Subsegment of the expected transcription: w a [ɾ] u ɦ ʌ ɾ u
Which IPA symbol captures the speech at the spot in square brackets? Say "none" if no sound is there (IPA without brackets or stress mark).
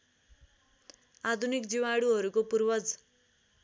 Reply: ɽ